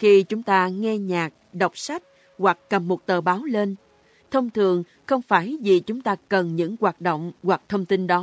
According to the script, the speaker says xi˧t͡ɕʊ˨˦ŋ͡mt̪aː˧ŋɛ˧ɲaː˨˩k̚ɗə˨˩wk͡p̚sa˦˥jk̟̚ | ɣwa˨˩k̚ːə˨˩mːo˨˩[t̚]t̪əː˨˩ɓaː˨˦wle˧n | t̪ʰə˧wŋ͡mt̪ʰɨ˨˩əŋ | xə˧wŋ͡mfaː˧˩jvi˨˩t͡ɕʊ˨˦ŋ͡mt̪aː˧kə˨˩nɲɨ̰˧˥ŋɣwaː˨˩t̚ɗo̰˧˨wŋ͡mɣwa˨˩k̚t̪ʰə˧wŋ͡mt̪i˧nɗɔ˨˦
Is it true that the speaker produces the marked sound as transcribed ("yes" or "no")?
yes